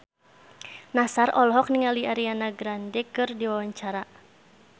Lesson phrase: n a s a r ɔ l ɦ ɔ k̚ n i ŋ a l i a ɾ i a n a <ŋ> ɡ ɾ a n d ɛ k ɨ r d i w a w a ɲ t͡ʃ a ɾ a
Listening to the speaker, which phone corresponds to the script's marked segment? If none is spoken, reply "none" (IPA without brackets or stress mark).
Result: none